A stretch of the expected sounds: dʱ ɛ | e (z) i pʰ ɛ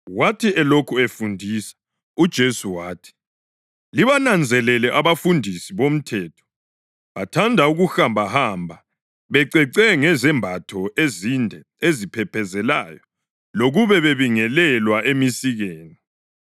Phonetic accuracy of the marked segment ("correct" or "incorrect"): correct